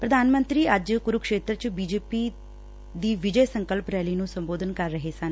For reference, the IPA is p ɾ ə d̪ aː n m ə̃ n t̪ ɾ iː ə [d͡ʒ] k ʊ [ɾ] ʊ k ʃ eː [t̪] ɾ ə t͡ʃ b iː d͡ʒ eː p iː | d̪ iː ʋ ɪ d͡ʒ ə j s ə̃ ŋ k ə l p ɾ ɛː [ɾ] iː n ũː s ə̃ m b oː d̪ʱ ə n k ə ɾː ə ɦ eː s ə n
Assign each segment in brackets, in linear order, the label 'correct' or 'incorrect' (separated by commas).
correct, correct, correct, incorrect